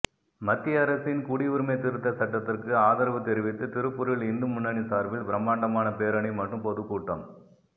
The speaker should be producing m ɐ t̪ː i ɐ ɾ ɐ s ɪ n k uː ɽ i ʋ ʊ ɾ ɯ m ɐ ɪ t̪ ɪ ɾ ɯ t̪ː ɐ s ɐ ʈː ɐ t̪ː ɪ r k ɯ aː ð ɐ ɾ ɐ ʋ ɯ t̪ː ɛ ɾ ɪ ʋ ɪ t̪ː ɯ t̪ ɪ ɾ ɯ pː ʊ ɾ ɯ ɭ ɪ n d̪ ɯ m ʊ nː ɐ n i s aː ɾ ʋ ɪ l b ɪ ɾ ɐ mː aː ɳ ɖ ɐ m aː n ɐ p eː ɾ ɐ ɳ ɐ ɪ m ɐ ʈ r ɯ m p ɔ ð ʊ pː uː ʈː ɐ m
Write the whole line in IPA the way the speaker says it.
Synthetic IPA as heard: m ɐ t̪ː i ɐ ɾ ɐ s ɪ n k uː ɽ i ʋ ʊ ɾ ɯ m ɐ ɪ t̪ ɪ ɾ ɯ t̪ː ɐ s ɐ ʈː ɐ t̪ː ɪ r k ɯ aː ð ɐ ɾ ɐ ʋ ɯ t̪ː ɛ ɾ ɪ ʋ ɪ t̪ː ɯ t̪ ɪ ɾ ɯ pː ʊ ɾ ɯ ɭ ɪ n d̪ ɯ m ʊ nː ɐ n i s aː ɾ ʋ ɪ l b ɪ ɾ ɐ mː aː ɳ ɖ ɐ m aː n ɐ p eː ɾ ɐ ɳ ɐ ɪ m ɐ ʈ r ɯ m p ɔ ð ɯ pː uː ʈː ɐ m